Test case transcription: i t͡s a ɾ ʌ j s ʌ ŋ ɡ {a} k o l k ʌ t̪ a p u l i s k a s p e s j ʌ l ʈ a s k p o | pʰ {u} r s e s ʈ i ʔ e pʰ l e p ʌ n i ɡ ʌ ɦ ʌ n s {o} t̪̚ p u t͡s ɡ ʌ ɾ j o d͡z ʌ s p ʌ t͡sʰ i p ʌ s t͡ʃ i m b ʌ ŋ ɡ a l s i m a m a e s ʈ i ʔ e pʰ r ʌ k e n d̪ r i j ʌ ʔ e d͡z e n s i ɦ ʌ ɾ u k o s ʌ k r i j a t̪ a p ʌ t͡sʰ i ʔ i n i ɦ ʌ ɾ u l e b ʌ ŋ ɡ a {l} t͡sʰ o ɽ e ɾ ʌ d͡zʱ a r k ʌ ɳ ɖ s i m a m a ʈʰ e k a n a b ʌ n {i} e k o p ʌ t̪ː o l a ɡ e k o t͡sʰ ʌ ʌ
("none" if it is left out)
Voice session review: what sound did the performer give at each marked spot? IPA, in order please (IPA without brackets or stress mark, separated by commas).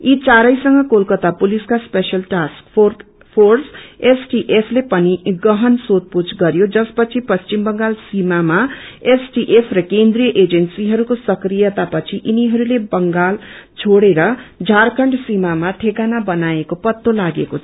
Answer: ʌ, o, o, l, a